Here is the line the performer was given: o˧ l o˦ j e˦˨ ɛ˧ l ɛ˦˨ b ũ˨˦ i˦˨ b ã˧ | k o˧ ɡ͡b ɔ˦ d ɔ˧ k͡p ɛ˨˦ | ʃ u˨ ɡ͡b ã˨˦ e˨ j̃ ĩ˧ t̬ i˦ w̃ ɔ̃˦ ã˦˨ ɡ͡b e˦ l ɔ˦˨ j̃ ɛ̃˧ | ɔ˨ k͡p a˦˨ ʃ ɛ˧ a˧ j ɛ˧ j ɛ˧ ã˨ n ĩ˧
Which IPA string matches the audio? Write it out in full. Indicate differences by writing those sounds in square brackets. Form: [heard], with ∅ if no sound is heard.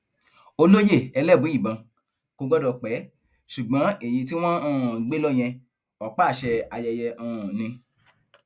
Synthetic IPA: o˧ l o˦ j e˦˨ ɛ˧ l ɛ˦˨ b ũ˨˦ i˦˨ b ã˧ | k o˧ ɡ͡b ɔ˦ d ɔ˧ k͡p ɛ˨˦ | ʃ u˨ ɡ͡b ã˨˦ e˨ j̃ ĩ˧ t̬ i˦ w̃ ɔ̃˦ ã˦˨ ɡ͡b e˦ l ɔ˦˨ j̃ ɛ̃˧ | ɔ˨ k͡p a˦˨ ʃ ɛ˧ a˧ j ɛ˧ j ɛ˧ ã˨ n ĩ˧